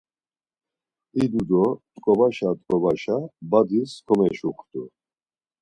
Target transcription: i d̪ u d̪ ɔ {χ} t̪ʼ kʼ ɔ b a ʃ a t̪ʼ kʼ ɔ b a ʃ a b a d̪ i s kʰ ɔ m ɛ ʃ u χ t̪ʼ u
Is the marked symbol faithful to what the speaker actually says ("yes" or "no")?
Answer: no